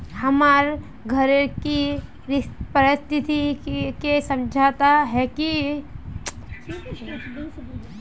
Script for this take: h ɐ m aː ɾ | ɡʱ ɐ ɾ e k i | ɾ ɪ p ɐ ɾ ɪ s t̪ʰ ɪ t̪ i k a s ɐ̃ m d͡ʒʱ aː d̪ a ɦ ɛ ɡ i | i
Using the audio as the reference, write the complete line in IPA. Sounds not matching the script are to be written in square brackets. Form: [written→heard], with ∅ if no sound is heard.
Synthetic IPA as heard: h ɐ m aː ɾ | ɡʱ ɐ ɾ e k i | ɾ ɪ p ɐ ɾ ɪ s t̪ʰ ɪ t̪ i k [a→e] s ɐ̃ m d͡ʒʱ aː [d̪→t̪] a ɦ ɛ [ɡ→k] i | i